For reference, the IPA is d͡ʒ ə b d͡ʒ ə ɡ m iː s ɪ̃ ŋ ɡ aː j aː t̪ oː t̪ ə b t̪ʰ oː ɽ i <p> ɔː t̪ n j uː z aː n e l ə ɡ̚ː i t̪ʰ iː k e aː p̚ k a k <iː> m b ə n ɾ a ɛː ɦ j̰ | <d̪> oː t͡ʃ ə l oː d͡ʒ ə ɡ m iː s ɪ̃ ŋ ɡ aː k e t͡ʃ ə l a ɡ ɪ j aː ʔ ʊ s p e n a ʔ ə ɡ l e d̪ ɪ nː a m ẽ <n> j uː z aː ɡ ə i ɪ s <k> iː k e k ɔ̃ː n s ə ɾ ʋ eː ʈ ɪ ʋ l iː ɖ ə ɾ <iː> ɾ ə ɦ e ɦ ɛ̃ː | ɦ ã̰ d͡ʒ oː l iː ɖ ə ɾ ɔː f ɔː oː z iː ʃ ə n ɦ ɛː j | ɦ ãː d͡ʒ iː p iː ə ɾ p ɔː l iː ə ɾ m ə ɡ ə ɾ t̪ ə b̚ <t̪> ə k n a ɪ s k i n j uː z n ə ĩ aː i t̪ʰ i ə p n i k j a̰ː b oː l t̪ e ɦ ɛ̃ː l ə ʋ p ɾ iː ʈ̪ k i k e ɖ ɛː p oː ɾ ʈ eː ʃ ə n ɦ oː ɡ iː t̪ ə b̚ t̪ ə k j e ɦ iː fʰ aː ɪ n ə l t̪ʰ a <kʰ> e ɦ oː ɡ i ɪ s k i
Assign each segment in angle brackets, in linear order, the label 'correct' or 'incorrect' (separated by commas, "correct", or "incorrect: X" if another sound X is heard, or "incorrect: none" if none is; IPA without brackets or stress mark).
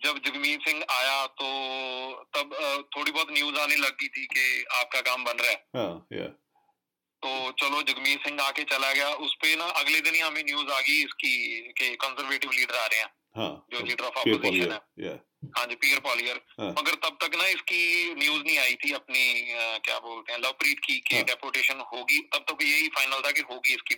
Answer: incorrect: b, incorrect: aː, incorrect: t̪, correct, correct, incorrect: aː, correct, incorrect: k